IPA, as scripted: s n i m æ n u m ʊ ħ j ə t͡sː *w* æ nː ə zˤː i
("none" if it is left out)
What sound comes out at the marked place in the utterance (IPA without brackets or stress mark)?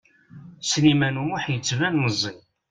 v